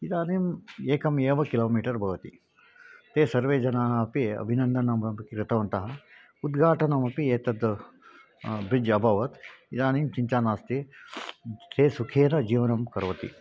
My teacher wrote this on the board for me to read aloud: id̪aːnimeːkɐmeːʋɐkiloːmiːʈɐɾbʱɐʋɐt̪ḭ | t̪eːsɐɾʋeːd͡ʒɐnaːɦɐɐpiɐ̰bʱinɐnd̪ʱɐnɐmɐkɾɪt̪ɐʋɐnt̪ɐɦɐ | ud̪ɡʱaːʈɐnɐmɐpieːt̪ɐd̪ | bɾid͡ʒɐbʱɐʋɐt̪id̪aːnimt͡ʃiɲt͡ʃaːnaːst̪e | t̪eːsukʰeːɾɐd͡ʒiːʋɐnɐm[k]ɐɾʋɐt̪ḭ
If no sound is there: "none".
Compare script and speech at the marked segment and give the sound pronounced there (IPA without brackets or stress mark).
k